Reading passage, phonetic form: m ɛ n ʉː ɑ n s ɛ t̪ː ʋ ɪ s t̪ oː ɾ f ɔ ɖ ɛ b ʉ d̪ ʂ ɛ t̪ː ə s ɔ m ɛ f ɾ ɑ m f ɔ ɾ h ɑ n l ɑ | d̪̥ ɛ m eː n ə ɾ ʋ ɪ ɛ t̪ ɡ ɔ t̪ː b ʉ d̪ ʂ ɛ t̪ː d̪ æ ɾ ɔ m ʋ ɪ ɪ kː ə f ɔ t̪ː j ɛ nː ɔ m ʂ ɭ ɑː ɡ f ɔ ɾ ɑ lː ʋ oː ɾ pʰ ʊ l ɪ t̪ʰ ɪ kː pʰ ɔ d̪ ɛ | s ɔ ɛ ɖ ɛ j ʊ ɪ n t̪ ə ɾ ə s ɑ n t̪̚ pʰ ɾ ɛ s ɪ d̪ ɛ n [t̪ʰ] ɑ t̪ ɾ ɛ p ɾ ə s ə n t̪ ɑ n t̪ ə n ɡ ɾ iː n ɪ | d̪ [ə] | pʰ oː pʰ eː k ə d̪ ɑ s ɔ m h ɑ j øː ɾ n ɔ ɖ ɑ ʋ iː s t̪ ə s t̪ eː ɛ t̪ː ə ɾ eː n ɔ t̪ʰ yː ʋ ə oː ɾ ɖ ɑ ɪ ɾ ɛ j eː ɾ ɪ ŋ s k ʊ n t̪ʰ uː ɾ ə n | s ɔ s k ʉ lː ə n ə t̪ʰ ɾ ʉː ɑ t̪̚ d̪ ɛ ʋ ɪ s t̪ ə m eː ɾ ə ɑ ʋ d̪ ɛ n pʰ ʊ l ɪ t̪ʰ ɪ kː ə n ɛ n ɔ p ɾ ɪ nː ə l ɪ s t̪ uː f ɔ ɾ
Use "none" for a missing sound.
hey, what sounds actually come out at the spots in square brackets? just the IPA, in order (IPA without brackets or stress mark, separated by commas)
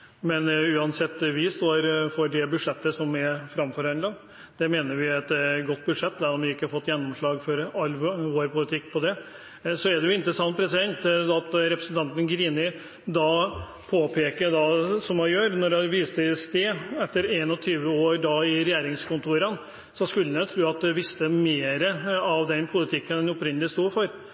t̪, ɑ